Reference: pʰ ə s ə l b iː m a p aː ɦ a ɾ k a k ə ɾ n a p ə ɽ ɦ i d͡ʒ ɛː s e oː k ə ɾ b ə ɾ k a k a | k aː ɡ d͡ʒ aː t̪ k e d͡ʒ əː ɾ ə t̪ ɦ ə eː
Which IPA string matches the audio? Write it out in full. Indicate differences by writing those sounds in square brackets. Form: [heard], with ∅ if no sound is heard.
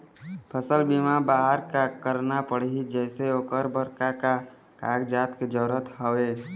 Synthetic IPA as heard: pʰ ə s ə l b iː m a [b] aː ɦ [ə] ɾ k a k ə ɾ n a p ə ɽ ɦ i d͡ʒ ɛː s e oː k ə ɾ b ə ɾ k a k a | k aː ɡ d͡ʒ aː t̪ k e d͡ʒ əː ɾ ə t̪ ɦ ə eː